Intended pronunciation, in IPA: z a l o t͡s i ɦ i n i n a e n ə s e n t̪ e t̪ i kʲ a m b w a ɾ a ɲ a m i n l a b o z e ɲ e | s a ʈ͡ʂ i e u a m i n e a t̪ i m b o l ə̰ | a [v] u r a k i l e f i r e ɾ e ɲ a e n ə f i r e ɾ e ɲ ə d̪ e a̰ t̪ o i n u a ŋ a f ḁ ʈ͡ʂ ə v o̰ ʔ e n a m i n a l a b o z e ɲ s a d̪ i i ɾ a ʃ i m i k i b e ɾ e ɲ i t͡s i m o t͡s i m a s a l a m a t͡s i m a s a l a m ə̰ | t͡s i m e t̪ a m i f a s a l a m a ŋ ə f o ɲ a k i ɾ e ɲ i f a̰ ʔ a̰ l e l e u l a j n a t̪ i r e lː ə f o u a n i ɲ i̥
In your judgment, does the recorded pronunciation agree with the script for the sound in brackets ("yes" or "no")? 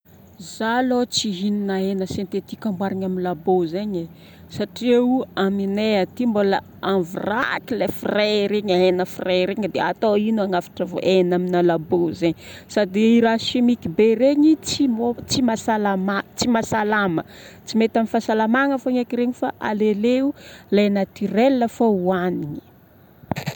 yes